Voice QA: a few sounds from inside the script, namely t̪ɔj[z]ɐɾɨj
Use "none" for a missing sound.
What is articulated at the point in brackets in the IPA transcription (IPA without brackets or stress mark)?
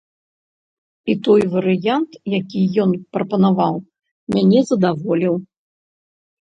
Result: v